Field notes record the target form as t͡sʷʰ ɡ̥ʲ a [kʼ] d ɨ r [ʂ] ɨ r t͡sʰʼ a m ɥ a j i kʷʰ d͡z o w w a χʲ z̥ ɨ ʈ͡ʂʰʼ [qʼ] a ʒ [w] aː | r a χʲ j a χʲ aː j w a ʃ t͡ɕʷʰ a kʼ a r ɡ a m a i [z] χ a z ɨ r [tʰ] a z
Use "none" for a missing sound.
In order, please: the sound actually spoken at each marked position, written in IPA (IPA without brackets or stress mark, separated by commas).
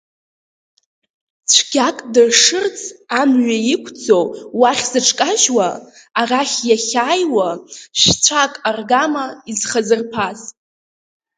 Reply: kʼ, ʂ, kʼ, w, z, pʰ